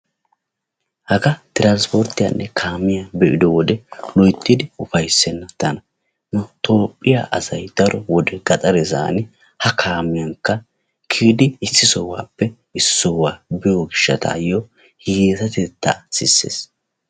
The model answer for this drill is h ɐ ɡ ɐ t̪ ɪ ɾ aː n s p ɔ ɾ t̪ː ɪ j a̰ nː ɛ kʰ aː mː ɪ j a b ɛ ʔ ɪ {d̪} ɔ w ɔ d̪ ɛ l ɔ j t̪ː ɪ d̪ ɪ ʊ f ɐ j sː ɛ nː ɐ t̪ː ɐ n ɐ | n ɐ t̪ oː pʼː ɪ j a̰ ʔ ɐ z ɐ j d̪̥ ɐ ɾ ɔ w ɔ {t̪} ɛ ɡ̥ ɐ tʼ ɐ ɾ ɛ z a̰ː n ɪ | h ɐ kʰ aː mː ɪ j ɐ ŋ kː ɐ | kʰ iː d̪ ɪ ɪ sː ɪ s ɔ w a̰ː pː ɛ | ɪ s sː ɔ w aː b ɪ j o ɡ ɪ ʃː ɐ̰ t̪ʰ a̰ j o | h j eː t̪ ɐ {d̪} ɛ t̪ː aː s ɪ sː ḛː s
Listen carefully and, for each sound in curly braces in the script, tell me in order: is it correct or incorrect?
correct, incorrect, incorrect

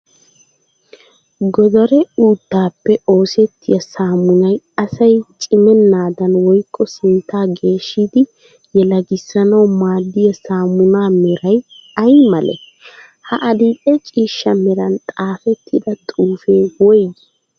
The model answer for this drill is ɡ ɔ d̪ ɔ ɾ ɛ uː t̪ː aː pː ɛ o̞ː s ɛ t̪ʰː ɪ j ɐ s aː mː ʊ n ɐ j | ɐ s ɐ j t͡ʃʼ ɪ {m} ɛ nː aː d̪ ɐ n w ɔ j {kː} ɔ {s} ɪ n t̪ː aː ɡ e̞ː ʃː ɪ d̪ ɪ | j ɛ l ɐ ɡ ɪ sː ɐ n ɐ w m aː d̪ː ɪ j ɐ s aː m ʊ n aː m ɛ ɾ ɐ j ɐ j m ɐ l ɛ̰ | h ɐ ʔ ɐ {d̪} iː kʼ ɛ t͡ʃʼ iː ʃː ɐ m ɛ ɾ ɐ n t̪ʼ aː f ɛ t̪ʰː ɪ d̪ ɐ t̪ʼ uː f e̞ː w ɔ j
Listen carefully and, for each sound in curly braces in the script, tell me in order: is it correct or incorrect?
correct, incorrect, correct, correct

